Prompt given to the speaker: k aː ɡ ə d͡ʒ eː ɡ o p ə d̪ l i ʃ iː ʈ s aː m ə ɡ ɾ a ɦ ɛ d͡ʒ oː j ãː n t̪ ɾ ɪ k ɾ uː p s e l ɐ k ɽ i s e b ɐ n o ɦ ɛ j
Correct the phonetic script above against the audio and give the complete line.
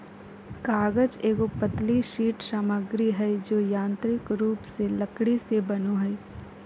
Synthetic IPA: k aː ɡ ə d͡ʒ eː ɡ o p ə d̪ l i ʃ iː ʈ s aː m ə ɡ ɾ i ɦ ɛ d͡ʒ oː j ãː n t̪ ɾ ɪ k ɾ uː p s e l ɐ k ɽ i s e b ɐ n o ɦ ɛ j